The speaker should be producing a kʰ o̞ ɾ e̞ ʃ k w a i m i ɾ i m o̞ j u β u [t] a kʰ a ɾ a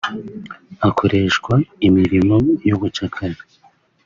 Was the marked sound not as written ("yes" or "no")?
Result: yes